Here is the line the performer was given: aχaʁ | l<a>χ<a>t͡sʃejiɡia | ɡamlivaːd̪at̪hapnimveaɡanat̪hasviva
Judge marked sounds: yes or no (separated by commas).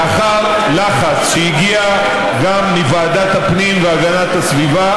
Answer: yes, yes